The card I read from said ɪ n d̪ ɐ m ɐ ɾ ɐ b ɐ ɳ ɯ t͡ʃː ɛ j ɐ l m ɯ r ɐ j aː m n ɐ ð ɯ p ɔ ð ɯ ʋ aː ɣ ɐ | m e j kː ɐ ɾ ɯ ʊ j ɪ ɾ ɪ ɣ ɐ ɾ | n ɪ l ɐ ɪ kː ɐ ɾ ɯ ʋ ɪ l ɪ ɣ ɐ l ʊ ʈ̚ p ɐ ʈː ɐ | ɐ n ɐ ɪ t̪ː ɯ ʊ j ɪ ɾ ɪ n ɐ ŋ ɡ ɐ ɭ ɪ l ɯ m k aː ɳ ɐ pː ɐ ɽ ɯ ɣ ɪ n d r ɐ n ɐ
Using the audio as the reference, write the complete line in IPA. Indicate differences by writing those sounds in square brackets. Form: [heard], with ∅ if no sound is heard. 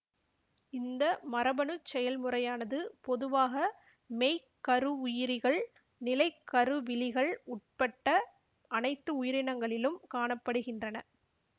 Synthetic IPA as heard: ɪ n d̪ ɐ m ɐ ɾ ɐ b ɐ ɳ ɯ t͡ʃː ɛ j ɐ l m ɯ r ɐ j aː [∅] n ɐ ð ɯ p ɔ ð ɯ ʋ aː ɣ ɐ | m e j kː ɐ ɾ ɯ ʊ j ɪ ɾ ɪ ɣ ɐ [ɭ] | n ɪ l ɐ ɪ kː ɐ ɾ ɯ ʋ ɪ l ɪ ɣ ɐ [ɭ] ʊ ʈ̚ p ɐ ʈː ɐ | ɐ n ɐ ɪ t̪ː ɯ ʊ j ɪ ɾ ɪ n ɐ ŋ ɡ ɐ ɭ ɪ l ɯ m k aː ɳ ɐ pː ɐ ɽ ɯ ɣ ɪ n d r ɐ n ɐ

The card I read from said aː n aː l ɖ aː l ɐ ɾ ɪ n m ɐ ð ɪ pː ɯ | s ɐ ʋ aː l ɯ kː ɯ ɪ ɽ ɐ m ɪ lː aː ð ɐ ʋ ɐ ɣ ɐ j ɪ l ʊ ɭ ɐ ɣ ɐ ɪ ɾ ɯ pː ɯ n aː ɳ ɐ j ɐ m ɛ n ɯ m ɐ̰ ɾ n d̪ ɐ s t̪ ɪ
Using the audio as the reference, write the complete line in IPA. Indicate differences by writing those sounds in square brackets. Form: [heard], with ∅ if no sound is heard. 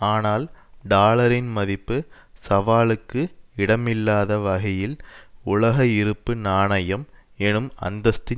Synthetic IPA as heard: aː n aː l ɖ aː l ɐ ɾ ɪ n m ɐ ð ɪ pː ɯ | s ɐ ʋ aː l ɯ kː ɯ ɪ ɽ ɐ m ɪ lː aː ð ɐ ʋ ɐ ɣ ɐ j ɪ l ʊ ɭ ɐ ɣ ɐ ɪ ɾ ɯ pː ɯ n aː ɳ ɐ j ɐ m ɛ n ɯ m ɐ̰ [∅] n d̪ ɐ s t̪ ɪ

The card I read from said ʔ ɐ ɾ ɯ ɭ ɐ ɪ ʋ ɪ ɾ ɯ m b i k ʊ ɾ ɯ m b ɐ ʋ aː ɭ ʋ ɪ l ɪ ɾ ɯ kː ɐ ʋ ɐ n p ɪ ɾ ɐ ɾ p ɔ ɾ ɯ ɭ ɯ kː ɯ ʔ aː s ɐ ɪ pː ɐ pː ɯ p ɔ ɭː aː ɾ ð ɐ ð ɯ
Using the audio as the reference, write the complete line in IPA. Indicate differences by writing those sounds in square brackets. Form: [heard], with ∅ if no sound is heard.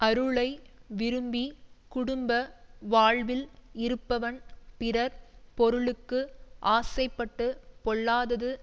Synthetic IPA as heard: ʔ ɐ ɾ ɯ ɭ ɐ ɪ ʋ ɪ ɾ ɯ m b i k ʊ [ɽ] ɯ m b ɐ ʋ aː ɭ ʋ ɪ l ɪ ɾ ɯ [pː] ɐ ʋ ɐ n p ɪ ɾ ɐ ɾ p ɔ ɾ ɯ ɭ ɯ kː ɯ ʔ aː s ɐ ɪ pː ɐ [ʈː] ɯ p ɔ ɭː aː [∅] ð ɐ ð ɯ

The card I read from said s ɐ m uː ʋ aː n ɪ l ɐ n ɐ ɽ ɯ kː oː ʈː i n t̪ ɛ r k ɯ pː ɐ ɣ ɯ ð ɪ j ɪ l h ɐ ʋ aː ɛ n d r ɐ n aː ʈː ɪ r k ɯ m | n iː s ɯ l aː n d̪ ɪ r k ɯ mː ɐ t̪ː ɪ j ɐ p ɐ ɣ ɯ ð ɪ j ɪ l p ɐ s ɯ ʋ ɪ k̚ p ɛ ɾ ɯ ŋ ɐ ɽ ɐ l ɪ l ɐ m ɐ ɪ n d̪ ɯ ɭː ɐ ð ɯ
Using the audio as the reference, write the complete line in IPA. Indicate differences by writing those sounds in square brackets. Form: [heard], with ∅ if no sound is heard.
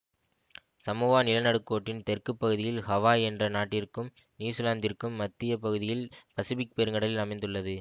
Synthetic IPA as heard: s ɐ m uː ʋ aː n ɪ l ɐ n ɐ ɽ ɯ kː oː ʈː [ɪ] n t̪ ɛ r k ɯ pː ɐ ɣ ɯ ð ɪ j ɪ l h ɐ ʋ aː ɛ n d r ɐ n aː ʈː ɪ r k ɯ m | n iː s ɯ l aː n d̪ ɪ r k ɯ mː ɐ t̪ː ɪ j ɐ p ɐ ɣ ɯ ð ɪ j ɪ l p ɐ s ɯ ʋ ɪ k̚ p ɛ ɾ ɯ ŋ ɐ ɽ ɐ l ɪ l ɐ m ɐ ɪ n d̪ ɯ ɭː ɐ ð ɯ

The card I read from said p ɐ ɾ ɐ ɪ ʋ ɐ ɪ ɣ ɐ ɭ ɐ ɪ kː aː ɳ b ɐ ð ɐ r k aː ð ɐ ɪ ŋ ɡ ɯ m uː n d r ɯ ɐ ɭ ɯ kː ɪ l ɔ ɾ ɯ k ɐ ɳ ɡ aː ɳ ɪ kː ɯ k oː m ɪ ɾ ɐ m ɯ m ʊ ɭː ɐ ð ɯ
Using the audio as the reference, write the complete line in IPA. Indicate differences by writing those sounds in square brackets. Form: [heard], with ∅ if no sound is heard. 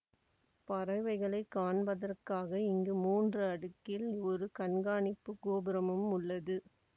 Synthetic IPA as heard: p ɐ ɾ ɐ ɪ ʋ ɐ ɪ ɣ ɐ ɭ ɐ ɪ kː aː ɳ b ɐ ð ɐ r k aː [ɣ] ɐ ɪ ŋ ɡ ɯ m uː n d r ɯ ɐ [ɽ] ɯ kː ɪ l ɔ ɾ ɯ k ɐ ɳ ɡ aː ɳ ɪ [pː] ɯ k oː [b] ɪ ɾ ɐ m ɯ m ʊ ɭː ɐ ð ɯ

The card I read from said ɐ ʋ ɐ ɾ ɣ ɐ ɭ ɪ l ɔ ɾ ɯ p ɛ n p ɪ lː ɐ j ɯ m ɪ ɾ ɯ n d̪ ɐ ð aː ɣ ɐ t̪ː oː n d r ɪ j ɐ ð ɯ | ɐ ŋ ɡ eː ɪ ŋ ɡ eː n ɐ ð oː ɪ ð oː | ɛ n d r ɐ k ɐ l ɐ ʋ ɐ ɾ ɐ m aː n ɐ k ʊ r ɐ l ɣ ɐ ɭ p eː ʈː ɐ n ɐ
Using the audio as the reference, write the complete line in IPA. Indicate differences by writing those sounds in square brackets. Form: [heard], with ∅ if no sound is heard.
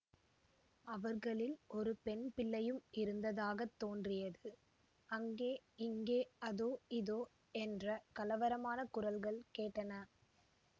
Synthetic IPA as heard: ɐ ʋ ɐ ɾ ɣ ɐ ɭ ɪ l ɔ ɾ ɯ p ɛ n p ɪ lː ɐ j ɯ m ɪ ɾ ɯ n d̪ ɐ ð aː ɣ ɐ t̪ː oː n d r ɪ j ɐ ð ɯ | ɐ ŋ ɡ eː ɪ ŋ ɡ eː [∅] ɐ ð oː ɪ ð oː | ɛ n d r ɐ k ɐ l ɐ ʋ ɐ ɾ ɐ m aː n ɐ k ʊ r ɐ l ɣ ɐ ɭ [k] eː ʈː ɐ n ɐ

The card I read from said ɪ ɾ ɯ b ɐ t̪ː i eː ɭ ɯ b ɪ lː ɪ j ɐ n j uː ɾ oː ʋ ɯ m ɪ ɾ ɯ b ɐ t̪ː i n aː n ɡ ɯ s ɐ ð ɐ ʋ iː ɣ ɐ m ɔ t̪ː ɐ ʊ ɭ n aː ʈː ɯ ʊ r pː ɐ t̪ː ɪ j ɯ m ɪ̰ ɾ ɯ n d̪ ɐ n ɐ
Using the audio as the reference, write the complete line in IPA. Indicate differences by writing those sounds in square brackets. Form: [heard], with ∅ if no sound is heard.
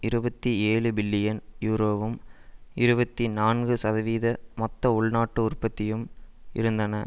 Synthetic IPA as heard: ɪ ɾ ɯ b ɐ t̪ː i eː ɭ ɯ b ɪ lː ɪ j ɐ n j uː ɾ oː ʋ ɯ m ɪ ɾ ɯ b ɐ t̪ː i n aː n ɡ ɯ s ɐ ð ɐ ʋ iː [ð] ɐ m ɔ t̪ː ɐ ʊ ɭ n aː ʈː ɯ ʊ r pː ɐ t̪ː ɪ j ɯ m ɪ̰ ɾ ɯ n d̪ ɐ n ɐ

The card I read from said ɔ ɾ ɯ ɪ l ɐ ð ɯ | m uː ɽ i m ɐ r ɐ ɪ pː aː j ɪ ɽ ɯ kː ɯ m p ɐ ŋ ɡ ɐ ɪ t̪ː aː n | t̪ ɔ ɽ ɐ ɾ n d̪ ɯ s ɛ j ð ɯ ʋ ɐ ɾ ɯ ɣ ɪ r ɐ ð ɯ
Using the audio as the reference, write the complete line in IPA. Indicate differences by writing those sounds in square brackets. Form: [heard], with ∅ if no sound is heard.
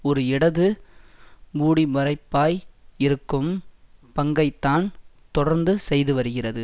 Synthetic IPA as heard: ɔ ɾ ɯ ɪ [ɽ] ɐ ð ɯ | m uː ɽ i m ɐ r ɐ ɪ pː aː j ɪ [ɾ] ɯ kː ɯ m p ɐ ŋ ɡ ɐ ɪ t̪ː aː n | t̪ ɔ ɽ ɐ ɾ n d̪ ɯ s ɛ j ð ɯ ʋ ɐ ɾ ɯ ɣ ɪ r ɐ ð ɯ

